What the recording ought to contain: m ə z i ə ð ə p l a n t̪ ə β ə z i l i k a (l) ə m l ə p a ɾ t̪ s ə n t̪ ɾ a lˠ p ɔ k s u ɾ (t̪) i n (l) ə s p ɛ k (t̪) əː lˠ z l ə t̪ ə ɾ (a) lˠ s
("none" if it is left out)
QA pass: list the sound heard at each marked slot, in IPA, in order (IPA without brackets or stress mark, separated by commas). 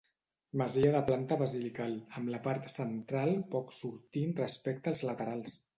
l, t̪, r, t̪, a